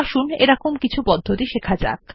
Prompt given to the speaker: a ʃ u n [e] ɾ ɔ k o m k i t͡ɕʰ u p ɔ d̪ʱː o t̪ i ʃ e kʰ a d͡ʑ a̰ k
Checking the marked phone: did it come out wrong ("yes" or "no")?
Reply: no